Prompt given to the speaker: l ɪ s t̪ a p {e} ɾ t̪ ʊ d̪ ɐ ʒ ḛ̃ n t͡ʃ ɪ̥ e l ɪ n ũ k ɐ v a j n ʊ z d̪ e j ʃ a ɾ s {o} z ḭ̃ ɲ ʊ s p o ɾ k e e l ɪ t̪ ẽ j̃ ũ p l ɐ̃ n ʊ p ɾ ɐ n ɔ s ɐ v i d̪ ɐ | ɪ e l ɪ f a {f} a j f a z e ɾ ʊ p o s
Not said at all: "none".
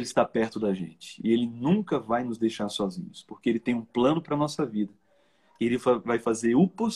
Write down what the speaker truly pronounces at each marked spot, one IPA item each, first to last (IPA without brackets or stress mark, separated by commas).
ɛ, ɔ, v